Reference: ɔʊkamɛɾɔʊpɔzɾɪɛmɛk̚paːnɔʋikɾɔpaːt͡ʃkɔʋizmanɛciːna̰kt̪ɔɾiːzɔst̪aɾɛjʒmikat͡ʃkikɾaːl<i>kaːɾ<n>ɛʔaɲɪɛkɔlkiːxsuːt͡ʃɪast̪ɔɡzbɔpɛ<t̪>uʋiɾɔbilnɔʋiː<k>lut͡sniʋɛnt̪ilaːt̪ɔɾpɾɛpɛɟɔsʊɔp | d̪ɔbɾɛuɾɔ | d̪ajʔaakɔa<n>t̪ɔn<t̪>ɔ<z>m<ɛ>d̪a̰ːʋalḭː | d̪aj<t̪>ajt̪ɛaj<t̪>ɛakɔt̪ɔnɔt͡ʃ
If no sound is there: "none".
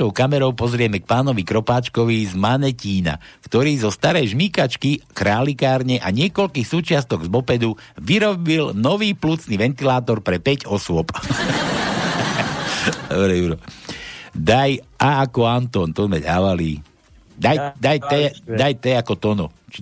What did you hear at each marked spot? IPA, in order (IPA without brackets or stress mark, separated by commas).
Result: i, ɲ, d̪, p, n, t̪, z, ɛ, d̪, t̪